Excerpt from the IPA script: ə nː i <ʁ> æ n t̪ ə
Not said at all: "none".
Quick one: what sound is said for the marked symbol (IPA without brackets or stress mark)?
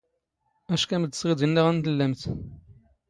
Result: ʁ